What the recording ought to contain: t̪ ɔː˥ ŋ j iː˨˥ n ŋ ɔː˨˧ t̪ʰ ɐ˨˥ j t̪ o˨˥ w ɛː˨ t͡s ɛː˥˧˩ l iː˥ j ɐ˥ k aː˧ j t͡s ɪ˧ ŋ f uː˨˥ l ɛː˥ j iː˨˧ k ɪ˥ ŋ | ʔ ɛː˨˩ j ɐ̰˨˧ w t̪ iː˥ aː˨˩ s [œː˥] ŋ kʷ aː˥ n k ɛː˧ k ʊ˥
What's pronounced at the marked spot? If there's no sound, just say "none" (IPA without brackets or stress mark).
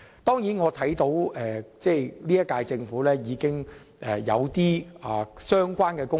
œː˥